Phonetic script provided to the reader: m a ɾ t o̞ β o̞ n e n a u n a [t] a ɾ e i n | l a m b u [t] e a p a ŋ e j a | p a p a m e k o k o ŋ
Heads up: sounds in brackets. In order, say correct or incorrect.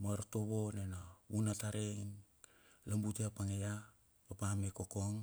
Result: correct, correct

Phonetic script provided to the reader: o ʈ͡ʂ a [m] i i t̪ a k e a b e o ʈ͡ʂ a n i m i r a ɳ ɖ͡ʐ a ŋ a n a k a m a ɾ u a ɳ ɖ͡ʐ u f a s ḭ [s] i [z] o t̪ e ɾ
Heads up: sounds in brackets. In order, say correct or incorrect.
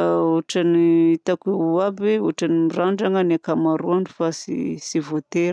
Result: incorrect, correct, incorrect

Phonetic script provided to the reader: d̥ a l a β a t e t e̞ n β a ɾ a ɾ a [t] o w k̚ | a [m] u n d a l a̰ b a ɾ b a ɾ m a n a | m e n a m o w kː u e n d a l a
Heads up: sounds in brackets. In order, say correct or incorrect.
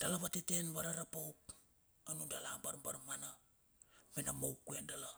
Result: incorrect, incorrect

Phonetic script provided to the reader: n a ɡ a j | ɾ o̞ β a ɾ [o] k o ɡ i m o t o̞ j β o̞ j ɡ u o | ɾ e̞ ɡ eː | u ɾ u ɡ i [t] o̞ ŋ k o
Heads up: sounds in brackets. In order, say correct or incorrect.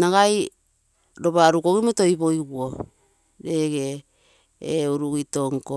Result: incorrect, correct

